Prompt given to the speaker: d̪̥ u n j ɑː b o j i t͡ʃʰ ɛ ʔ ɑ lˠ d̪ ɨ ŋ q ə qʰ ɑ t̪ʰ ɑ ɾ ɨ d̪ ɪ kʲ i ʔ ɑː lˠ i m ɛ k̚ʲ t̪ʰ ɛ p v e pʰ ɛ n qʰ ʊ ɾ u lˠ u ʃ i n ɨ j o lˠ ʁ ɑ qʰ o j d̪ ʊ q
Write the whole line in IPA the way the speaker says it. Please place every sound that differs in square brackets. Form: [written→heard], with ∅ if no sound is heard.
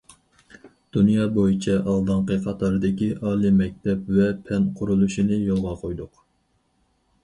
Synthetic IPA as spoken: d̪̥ u n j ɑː b o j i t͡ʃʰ ɛ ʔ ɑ lˠ d̪ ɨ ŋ q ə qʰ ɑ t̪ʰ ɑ ɾ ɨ d̪ ɪ kʲ i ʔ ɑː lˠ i m ɛ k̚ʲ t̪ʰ ɛ p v [e→ɛ] pʰ ɛ n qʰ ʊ ɾ u lˠ u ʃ i n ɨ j o lˠ ʁ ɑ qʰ o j d̪ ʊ q